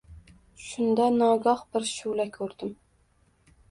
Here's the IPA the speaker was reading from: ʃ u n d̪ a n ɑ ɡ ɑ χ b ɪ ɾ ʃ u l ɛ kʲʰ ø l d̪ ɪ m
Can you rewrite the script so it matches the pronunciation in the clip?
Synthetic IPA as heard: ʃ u n d̪ ɑ n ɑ ɡ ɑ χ b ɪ ɾ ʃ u l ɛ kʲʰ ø ɾ d̪ ɪ m